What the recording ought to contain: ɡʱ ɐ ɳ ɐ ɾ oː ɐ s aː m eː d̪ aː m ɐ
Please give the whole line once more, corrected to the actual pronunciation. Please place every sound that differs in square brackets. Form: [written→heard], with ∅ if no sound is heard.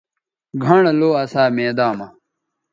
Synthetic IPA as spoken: ɡʱ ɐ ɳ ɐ [ɾ→l] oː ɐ s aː m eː d̪ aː m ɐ